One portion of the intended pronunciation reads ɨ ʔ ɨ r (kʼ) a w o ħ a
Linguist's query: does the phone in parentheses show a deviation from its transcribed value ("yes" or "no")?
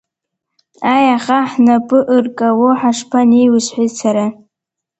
no